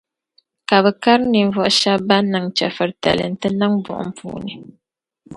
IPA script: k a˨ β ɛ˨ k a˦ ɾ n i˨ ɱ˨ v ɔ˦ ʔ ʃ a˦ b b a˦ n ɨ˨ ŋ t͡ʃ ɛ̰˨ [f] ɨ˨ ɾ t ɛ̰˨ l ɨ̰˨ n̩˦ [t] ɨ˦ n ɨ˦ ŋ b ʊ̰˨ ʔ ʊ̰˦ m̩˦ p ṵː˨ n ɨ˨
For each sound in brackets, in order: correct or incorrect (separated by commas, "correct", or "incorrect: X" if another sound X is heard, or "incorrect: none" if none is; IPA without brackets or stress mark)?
correct, correct